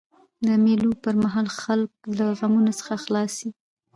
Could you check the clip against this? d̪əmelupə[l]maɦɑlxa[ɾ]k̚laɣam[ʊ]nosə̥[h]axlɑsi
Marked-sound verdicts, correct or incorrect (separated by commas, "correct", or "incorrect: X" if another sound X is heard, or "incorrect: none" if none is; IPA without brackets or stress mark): incorrect: ɾ, incorrect: l, incorrect: u, incorrect: x